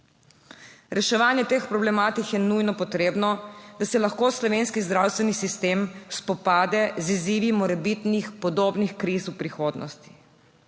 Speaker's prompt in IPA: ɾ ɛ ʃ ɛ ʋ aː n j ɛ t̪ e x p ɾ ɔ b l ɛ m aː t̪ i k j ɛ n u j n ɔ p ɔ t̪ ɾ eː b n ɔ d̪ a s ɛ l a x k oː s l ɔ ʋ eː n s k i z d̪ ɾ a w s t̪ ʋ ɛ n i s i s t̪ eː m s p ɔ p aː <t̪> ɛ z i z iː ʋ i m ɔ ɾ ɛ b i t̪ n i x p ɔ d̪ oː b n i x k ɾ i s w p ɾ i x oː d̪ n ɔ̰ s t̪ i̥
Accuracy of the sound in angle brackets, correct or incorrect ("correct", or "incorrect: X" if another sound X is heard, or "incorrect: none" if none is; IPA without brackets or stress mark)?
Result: incorrect: d̪